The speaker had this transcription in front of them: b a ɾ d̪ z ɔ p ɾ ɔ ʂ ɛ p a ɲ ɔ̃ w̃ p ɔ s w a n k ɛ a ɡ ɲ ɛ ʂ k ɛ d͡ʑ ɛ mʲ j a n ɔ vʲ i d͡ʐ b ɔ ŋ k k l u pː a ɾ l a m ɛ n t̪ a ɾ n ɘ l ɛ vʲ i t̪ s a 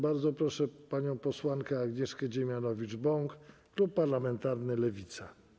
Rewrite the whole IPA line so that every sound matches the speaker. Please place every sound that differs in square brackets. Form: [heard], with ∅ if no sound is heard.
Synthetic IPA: b a ɾ d̪ z ɔ p ɾ ɔ ʂ ɛ p a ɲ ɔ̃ w̃ p ɔ s w a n k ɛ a ɡ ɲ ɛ ʂ k ɛ d͡ʑ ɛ mʲ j a n ɔ vʲ i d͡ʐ b ɔ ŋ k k l u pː a ɾ l a m ɛ n t̪ a ɾ n ɘ l ɛ vʲ i t̪ s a